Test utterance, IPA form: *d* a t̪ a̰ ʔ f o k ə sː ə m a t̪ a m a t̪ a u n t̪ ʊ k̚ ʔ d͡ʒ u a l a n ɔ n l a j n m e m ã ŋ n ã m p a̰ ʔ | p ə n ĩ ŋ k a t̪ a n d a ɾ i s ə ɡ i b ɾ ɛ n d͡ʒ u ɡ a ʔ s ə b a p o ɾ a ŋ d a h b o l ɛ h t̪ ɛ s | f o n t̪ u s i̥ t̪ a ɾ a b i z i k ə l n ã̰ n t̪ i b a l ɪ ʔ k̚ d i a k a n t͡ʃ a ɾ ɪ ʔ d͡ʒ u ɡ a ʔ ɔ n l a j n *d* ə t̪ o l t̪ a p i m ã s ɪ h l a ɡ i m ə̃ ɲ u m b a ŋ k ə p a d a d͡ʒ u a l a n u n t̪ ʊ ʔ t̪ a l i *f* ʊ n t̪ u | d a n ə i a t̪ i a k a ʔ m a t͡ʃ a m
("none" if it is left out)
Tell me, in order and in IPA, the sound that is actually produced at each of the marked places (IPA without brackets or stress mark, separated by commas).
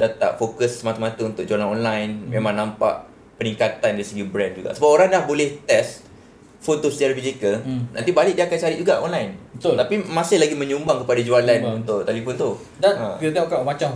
d, b, f